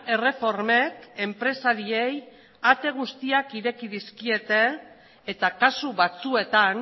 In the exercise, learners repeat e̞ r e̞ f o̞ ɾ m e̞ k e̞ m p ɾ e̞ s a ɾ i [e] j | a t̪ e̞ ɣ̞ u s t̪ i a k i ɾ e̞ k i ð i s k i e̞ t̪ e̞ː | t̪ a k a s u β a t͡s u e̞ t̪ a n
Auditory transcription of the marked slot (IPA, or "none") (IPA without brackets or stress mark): e